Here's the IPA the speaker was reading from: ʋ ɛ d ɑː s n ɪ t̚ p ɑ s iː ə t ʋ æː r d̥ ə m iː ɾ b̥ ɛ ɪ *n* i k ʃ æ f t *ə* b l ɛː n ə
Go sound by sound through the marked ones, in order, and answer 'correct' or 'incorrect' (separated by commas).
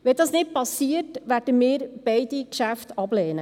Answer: incorrect, incorrect